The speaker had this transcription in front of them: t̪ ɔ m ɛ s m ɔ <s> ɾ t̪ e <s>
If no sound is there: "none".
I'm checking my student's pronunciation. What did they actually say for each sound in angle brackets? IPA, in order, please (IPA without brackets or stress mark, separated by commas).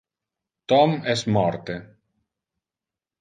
none, none